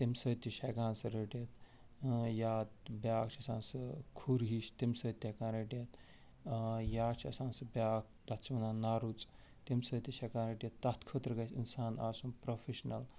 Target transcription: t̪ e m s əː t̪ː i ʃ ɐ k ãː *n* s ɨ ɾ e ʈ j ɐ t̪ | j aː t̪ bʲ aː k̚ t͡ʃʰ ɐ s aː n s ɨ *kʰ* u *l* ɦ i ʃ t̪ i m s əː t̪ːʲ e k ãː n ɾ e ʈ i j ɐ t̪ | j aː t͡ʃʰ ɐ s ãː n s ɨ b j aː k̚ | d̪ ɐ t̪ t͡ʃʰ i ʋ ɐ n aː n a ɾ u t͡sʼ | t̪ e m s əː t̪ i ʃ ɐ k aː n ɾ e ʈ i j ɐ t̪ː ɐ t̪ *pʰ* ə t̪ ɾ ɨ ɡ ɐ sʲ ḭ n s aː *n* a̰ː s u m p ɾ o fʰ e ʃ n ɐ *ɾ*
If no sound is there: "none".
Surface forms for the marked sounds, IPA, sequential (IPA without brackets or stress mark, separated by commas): n, kʰ, ɾ, kʰ, n, l